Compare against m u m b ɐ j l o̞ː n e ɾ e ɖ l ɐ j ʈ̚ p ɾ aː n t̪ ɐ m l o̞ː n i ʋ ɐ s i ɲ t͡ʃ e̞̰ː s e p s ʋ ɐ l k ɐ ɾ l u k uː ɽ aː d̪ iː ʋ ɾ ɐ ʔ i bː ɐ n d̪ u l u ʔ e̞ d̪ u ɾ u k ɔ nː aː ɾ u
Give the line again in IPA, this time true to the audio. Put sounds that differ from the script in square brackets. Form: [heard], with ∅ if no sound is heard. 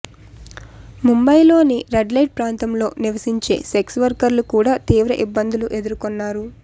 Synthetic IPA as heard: m u m b ɐ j l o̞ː n [i] ɾ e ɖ l ɐ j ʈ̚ p ɾ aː n t̪ ɐ m l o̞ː n i ʋ ɐ s i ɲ t͡ʃ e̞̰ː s e [k] s ʋ ɐ [ɾ] k ɐ ɾ l u k uː ɽ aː [t̪] iː ʋ ɾ ɐ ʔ i bː ɐ n d̪ u l u ʔ e̞ d̪ u ɾ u k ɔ nː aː ɾ u